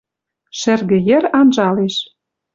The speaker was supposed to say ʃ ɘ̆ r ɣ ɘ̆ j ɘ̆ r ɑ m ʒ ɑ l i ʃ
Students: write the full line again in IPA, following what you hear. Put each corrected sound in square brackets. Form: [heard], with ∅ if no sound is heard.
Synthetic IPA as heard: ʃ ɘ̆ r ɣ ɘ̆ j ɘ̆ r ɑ [n] ʒ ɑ l [e] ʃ